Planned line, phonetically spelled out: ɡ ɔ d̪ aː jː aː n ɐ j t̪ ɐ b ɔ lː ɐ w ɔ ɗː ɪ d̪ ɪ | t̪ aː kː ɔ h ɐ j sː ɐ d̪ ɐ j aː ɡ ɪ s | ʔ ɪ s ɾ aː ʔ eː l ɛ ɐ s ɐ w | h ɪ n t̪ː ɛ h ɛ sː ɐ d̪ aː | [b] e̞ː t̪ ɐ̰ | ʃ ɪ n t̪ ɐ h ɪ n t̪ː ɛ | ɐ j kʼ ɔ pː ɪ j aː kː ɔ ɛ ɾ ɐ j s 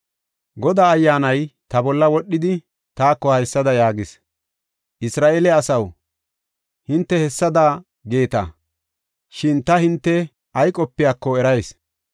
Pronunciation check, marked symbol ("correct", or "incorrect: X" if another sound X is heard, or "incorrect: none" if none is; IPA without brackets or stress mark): incorrect: ɡ